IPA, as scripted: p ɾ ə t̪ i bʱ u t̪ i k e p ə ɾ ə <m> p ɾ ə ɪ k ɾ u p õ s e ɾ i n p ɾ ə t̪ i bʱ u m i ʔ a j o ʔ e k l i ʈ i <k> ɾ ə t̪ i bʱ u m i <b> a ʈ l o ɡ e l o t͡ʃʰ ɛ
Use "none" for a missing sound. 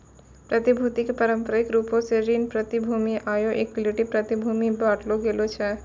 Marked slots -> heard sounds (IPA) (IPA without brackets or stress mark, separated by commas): m, p, b